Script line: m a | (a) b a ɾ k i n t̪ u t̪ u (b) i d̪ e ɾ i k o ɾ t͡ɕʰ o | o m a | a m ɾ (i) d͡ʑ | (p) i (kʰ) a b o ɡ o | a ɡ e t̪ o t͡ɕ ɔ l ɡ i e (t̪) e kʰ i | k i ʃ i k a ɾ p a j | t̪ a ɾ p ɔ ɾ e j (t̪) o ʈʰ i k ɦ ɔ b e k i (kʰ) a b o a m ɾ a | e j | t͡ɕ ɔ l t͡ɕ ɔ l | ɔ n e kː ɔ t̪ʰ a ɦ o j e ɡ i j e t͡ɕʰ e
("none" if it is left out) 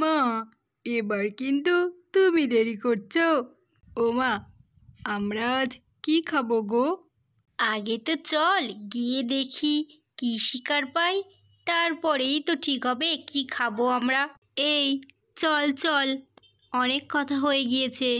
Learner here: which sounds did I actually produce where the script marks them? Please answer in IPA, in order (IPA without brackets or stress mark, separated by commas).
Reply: e, m, a, k, kʰ, d̪, t̪, kʰ